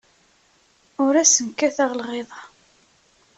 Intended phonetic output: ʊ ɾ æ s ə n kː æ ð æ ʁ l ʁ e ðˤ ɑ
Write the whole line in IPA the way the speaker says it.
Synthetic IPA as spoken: ʊ ɾ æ s ə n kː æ θ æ ʁ l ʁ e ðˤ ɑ